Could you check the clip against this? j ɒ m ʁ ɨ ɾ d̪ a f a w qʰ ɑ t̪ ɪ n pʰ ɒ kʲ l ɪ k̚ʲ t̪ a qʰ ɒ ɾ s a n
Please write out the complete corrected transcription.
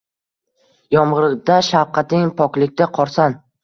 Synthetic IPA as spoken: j ɒ m ʁ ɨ ɾ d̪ a ʃ a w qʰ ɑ t̪ ɪ ŋ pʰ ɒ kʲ l ɪ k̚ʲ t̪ a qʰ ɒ ɾ s a n